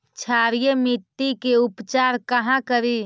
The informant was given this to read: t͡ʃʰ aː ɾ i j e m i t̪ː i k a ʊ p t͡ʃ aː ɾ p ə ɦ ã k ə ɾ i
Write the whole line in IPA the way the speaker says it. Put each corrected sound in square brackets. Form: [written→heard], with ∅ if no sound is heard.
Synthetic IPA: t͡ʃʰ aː ɾ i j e m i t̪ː i k [a→e] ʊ p t͡ʃ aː ɾ [p→k] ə ɦ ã k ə ɾ i